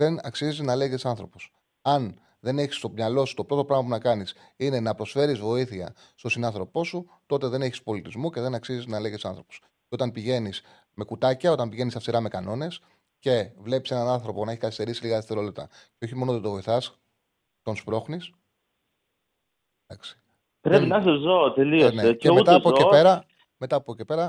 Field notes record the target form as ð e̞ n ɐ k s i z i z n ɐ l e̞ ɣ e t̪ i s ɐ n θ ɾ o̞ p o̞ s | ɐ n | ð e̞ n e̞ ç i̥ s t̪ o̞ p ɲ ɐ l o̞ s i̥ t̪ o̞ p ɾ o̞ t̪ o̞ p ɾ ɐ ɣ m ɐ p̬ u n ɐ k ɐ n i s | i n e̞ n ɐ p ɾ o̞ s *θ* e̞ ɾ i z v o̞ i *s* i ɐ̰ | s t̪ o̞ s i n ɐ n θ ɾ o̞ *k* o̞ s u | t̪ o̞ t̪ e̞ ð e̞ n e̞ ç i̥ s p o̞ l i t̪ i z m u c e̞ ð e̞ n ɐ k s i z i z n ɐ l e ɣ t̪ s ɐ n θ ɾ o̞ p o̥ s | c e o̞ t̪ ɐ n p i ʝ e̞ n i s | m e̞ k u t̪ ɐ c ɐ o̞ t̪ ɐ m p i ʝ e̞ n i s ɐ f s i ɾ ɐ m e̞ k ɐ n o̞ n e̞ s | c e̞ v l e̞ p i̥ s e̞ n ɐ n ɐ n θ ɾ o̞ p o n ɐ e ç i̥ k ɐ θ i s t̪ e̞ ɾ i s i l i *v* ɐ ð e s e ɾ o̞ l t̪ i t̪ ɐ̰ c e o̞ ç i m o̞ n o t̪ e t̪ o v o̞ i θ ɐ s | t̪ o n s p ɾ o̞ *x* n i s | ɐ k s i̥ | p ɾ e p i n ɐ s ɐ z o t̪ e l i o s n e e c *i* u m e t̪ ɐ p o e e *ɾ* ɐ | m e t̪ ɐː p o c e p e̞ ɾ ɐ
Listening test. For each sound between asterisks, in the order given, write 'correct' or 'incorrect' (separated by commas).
incorrect, incorrect, incorrect, incorrect, correct, incorrect, correct